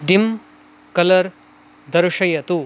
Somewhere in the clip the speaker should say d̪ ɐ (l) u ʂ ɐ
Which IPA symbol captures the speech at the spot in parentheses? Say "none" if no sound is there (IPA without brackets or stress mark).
ɾ